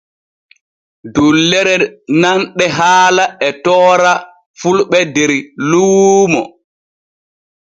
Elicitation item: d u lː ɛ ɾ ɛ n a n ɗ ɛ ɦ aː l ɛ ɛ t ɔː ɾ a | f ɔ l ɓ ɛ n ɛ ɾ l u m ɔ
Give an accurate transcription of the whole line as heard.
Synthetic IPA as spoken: d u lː ɛ ɾ ɛ n a n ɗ ɛ ɦ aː l a ɛ t ɔː ɾ a | f u l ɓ ɛ d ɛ ɾ l u m ɔ